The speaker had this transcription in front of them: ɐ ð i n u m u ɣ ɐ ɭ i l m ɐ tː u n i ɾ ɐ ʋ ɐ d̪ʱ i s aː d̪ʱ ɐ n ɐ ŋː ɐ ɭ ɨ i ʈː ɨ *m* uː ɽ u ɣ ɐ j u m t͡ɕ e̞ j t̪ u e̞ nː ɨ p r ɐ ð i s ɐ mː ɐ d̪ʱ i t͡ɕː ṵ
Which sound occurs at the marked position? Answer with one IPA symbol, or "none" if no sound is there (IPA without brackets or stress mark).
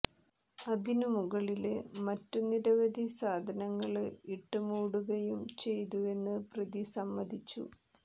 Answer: m